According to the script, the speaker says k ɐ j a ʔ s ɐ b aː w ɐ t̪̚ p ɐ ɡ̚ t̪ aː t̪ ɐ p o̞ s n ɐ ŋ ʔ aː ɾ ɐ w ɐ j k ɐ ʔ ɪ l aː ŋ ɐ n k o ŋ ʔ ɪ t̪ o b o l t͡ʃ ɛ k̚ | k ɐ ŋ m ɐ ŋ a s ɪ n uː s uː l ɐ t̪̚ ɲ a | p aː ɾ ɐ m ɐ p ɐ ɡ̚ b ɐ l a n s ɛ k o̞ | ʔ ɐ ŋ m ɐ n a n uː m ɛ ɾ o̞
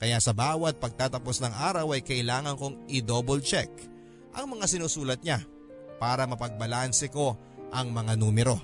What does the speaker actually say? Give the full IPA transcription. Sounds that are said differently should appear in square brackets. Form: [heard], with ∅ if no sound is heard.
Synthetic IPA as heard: k ɐ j a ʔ s ɐ b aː w ɐ t̪̚ p ɐ ɡ̚ t̪ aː t̪ ɐ p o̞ s n ɐ ŋ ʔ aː ɾ ɐ w ɐ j k ɐ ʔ ɪ l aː ŋ ɐ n k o ŋ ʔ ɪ [d̪] o b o l t͡ʃ ɛ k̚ | [ʔ] ɐ ŋ m ɐ ŋ a s ɪ n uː s uː l ɐ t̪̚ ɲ a | p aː ɾ ɐ m ɐ p ɐ ɡ̚ b ɐ l a n s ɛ k o̞ | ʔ ɐ ŋ m ɐ [ŋ] a n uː m ɛ ɾ o̞